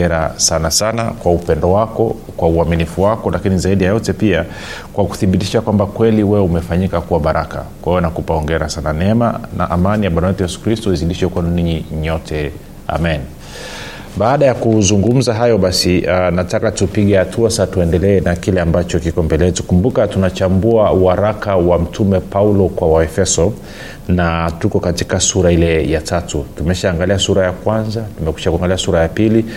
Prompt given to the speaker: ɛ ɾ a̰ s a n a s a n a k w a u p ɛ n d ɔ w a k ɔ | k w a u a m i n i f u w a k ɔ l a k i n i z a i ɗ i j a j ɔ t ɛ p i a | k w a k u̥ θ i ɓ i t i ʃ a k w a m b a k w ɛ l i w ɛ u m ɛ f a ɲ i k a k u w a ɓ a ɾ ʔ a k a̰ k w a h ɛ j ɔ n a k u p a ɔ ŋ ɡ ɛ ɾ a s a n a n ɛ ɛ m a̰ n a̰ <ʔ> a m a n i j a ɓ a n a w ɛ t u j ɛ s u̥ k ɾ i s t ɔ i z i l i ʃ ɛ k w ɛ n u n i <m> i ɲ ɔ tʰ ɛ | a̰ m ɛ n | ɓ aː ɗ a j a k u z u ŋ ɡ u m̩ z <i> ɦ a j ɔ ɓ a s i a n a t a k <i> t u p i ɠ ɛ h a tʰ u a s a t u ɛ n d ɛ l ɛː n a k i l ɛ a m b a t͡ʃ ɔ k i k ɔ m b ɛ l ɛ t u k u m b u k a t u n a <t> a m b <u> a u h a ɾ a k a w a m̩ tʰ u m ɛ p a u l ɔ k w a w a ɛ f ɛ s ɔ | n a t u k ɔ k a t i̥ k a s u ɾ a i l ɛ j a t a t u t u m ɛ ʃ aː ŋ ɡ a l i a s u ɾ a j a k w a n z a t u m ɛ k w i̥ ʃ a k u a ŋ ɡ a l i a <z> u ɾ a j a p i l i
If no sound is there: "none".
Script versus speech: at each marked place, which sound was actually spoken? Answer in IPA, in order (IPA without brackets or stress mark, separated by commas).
ʔ, ɲ, a, a, t͡ʃ, u, s